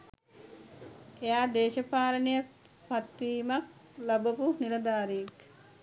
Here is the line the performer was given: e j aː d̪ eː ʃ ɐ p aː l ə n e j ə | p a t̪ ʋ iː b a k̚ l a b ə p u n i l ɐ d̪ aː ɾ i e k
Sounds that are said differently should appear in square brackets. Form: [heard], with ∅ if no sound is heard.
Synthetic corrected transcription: e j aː d̪ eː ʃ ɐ p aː l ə n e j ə | p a t̪ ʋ iː [m] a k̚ l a b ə p u n i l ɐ d̪ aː ɾ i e k